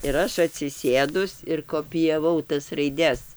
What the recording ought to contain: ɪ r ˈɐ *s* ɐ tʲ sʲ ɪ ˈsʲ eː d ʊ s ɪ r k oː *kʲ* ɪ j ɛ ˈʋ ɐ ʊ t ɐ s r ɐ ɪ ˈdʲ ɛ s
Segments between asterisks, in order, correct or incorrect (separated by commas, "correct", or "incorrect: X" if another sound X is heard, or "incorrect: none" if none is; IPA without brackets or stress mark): incorrect: ʃ, incorrect: pʲ